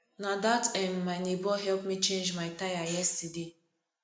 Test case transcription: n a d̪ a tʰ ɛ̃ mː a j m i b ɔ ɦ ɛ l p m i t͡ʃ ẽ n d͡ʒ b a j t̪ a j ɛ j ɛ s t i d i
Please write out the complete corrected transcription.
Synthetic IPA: n a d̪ a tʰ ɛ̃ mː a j n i b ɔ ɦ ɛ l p m i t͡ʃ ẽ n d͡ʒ m a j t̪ a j a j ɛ s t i d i